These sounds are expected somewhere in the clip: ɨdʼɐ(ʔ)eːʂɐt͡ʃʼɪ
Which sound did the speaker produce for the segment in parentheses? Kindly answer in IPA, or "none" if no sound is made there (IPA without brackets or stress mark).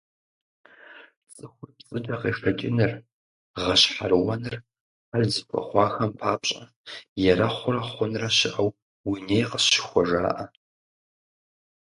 q